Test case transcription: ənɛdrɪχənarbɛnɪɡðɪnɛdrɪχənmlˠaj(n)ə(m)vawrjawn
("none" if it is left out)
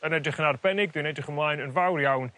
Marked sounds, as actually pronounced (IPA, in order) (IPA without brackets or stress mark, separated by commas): n, n